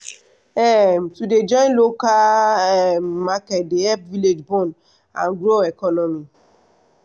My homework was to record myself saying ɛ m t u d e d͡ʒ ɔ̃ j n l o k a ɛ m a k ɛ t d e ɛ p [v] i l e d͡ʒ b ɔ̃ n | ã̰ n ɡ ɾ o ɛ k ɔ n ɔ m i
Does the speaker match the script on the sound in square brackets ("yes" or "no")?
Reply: yes